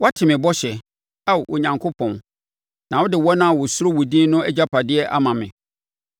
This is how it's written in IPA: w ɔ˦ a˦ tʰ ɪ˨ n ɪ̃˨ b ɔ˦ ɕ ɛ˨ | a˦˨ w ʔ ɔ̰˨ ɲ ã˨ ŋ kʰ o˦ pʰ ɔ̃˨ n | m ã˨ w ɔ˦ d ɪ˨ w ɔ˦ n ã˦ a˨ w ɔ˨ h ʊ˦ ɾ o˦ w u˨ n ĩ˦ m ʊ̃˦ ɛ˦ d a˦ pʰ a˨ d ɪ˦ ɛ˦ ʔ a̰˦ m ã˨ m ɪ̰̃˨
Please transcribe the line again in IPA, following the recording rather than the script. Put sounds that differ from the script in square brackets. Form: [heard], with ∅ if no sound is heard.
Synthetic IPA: w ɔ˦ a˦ tʰ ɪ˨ [m] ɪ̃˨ b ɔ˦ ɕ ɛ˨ | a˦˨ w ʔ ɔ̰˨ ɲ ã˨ ŋ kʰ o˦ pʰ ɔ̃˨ n | [n] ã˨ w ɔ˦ d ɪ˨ w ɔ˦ n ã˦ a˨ w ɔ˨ [s] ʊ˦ ɾ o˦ w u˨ [d] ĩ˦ [n] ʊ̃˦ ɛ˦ [d͡ʑ] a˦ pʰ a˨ d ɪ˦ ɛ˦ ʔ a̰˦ m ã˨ m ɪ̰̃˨